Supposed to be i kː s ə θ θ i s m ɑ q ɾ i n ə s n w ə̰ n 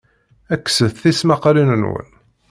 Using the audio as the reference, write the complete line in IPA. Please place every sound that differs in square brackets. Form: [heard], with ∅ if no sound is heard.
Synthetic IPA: [æ] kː s ə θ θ i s m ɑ q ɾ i n ə [∅] n w ə̰ n

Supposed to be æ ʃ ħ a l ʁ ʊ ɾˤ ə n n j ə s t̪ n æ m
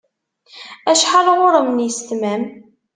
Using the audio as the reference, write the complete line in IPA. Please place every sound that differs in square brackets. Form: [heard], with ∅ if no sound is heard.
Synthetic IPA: æ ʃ ħ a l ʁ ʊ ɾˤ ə [m] n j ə s t̪ [m] æ m

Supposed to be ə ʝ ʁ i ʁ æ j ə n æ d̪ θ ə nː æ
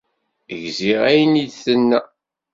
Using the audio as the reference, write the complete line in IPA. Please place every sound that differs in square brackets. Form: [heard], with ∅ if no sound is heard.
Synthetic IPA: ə ʝ [z] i ʁ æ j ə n [i] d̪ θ ə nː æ

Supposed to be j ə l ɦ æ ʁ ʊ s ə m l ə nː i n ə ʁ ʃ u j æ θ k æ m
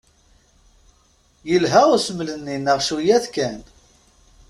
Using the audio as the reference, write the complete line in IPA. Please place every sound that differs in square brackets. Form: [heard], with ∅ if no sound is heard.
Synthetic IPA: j ə l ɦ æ ʁ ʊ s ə m l ə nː i n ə ʁ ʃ u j æ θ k æ [n]

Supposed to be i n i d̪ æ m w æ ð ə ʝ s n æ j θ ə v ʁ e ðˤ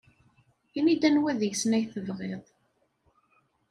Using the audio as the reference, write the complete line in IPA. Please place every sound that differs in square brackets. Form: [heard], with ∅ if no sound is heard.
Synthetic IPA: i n i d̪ æ [n] w æ ð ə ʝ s n æ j θ ə v ʁ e ðˤ

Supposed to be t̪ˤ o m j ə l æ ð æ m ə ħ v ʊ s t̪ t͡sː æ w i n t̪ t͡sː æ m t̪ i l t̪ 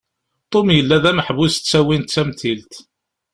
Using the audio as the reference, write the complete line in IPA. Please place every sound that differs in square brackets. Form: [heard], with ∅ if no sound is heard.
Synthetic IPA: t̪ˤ o m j ə [lː] æ ð æ m ə ħ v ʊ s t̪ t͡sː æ w i n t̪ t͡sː æ m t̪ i l t̪

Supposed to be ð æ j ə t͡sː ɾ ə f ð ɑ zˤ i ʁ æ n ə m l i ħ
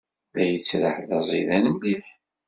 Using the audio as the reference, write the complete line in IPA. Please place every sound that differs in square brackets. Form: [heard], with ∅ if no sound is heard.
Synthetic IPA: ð æ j ə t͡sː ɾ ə [ħ] ð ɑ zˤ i [ð] æ n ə m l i ħ

